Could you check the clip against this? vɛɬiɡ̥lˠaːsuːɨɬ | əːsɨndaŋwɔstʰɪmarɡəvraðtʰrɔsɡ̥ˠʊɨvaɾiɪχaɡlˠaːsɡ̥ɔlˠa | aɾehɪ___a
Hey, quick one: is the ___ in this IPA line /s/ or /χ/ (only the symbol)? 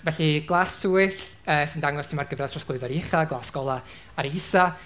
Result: s